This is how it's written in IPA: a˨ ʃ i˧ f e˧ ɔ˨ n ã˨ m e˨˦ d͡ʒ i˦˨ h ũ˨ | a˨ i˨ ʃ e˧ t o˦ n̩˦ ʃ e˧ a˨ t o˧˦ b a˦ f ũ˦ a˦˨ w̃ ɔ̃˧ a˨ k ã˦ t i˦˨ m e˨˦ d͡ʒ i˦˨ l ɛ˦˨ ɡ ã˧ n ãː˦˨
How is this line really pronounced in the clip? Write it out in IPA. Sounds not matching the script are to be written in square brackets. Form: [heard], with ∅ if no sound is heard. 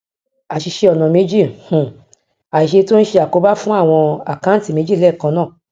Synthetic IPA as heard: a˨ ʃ i˧ [ʃ] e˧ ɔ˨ n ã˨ m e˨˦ d͡ʒ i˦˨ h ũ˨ | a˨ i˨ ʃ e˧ t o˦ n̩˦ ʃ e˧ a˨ [k] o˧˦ b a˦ f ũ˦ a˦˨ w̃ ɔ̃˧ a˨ k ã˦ t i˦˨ m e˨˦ d͡ʒ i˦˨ l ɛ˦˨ [k] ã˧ n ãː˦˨